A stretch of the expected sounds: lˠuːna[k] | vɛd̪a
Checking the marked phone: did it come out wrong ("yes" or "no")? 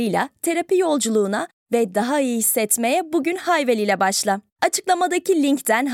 yes